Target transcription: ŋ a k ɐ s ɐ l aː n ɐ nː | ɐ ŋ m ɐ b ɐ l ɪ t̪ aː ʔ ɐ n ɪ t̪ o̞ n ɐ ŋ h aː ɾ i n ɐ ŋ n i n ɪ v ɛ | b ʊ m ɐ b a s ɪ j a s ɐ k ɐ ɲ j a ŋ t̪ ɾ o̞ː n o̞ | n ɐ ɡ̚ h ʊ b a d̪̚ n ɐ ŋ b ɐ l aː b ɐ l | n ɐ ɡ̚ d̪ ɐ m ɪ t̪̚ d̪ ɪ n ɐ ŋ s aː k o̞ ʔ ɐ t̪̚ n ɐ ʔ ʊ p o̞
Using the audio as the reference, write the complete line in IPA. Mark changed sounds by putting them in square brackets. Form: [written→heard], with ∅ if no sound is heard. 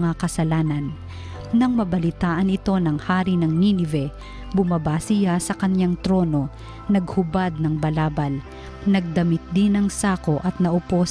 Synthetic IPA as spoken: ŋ a k ɐ s ɐ l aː n ɐ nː | ɐ ŋ m ɐ b ɐ l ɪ t̪ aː ʔ ɐ n ɪ t̪ o̞ n ɐ ŋ h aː ɾ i n ɐ ŋ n i n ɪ v ɛ | b ʊ m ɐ b a s ɪ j a s ɐ k ɐ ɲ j a ŋ t̪ ɾ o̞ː n o̞ | n ɐ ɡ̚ h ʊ b a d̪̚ n ɐ ŋ b ɐ l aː b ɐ l | n ɐ ɡ̚ d̪ ɐ m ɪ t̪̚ d̪ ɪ n ɐ ŋ s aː k o̞ ʔ ɐ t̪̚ n ɐ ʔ ʊ p o̞